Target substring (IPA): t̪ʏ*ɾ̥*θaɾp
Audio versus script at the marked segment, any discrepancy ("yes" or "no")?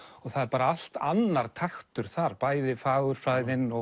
no